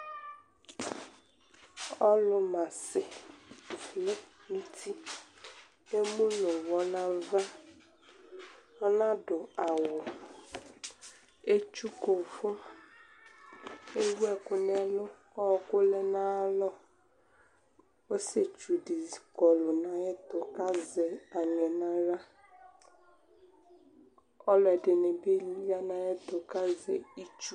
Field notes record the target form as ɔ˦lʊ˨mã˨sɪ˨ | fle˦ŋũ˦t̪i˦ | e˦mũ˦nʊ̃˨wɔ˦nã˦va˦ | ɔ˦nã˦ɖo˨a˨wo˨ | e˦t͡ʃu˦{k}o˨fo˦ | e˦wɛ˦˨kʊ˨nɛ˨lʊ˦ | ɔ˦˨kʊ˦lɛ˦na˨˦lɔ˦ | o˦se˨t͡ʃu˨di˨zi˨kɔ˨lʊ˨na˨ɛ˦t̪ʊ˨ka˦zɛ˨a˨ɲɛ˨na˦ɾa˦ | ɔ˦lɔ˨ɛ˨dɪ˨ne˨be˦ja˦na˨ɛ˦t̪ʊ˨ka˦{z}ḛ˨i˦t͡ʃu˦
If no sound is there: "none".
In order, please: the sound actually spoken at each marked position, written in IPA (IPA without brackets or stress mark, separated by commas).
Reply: k, z